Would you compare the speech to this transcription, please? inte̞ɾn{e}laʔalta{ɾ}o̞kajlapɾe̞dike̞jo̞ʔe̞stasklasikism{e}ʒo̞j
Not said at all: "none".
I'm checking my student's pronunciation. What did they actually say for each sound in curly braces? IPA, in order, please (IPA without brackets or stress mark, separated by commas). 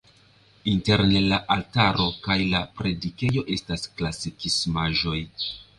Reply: e, ɾ, a